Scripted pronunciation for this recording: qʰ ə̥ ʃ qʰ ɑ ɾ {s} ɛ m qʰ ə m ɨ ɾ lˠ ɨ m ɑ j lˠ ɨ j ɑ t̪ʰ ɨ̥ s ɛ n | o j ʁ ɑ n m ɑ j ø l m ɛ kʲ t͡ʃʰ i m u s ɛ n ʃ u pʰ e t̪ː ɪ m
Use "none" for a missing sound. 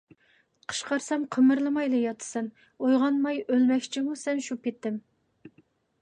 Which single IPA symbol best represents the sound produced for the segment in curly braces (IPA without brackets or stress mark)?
s